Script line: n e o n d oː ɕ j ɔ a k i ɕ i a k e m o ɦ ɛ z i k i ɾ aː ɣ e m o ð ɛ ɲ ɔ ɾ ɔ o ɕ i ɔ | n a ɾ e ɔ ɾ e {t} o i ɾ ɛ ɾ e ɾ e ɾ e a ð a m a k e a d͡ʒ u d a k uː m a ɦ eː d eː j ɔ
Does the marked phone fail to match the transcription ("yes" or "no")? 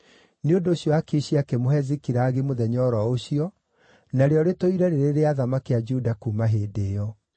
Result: no